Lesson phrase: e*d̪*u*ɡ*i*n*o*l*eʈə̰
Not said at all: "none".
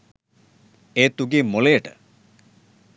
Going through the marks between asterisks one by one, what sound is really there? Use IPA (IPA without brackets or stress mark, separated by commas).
t̪, ɡ, m, l